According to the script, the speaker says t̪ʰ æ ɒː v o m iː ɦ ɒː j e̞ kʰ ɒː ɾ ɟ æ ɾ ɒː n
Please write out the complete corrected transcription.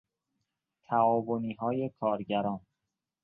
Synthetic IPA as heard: t̪ʰ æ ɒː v o n iː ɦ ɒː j e̞ kʰ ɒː ɾ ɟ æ ɾ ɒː n